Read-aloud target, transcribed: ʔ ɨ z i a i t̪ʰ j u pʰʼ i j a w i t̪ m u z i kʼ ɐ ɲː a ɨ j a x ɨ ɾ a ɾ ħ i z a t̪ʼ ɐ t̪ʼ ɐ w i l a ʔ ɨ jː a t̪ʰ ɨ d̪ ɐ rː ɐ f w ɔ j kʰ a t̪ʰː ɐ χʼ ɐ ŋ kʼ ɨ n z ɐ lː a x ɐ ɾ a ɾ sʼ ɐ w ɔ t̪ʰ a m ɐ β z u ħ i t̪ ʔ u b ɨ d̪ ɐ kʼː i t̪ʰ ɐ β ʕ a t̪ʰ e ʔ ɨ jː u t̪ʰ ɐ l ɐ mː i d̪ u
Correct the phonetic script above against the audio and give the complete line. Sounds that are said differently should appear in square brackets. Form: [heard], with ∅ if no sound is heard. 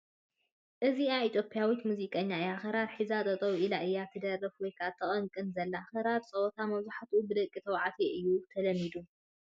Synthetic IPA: ʔ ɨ z i a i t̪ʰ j [o] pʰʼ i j a w i t̪ m u z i kʼ ɐ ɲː a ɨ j a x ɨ ɾ a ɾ ħ i z a t̪ʼ ɐ t̪ʼ ɐ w i l a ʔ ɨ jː a t̪ʰ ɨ d̪ ɐ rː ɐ f w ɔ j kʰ a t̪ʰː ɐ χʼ ɐ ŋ kʼ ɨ n z ɐ lː a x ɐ ɾ a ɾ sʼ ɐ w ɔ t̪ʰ a m ɐ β z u ħ [a] t̪ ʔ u b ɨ d̪ ɐ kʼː i t̪ʰ ɐ [w] ʕ a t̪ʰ e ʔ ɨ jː u t̪ʰ ɐ l ɐ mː i d̪ u